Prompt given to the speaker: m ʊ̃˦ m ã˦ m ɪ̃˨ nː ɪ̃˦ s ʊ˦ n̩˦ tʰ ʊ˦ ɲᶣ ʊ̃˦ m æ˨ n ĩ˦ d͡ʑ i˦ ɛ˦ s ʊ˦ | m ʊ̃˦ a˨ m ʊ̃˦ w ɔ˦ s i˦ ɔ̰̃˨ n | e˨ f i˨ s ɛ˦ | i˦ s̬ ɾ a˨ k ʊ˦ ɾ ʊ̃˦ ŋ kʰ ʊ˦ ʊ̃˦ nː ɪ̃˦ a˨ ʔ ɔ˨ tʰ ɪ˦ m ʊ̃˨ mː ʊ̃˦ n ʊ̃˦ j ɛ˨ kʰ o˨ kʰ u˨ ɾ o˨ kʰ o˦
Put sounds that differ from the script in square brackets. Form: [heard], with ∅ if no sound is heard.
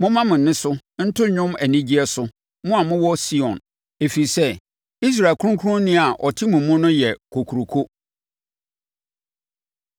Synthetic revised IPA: m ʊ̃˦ m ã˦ m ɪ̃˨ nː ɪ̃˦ s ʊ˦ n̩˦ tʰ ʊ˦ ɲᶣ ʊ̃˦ m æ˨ n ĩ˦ d͡ʑ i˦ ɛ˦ s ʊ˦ | m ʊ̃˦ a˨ m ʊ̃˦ w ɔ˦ s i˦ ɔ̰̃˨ n | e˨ f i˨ s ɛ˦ | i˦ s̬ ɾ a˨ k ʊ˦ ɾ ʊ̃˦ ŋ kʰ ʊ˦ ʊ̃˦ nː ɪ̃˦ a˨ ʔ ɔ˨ tʰ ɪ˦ m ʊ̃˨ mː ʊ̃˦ n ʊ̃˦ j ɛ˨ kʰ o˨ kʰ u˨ ɾ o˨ kʰ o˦